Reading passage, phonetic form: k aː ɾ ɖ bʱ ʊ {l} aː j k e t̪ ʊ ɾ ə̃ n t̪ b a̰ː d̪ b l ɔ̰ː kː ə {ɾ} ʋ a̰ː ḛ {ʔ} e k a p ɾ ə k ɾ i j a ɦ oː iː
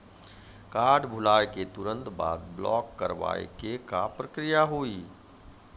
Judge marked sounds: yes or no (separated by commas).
yes, yes, no